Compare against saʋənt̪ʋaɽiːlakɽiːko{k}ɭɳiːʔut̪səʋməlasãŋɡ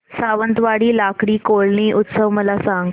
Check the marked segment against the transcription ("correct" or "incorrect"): incorrect